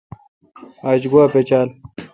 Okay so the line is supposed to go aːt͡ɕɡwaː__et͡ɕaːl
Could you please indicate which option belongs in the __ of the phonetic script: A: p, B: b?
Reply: A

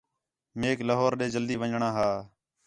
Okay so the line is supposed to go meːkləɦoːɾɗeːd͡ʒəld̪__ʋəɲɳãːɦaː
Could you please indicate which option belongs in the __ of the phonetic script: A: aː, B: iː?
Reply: B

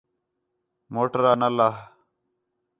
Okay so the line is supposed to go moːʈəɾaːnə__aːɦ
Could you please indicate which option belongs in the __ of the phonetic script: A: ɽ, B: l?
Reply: B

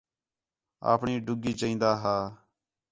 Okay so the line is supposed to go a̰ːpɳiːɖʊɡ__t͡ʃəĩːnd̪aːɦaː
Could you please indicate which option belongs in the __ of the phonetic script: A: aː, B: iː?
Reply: B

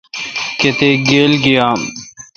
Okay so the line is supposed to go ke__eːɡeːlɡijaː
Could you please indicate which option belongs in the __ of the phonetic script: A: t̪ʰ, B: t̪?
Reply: B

